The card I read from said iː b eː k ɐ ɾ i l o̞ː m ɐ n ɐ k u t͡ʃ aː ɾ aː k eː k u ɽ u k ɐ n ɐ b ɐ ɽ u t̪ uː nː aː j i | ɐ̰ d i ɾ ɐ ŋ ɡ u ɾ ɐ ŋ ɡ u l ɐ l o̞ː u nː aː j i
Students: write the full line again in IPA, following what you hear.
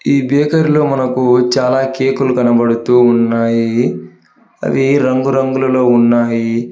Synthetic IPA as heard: iː b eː k ɐ ɾ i l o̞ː m ɐ n ɐ k u t͡ʃ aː l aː k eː k u l u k ɐ n ɐ b ɐ ɽ u t̪ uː nː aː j i | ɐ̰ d i ɾ ɐ ŋ ɡ u ɾ ɐ ŋ ɡ u l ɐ l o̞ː u nː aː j i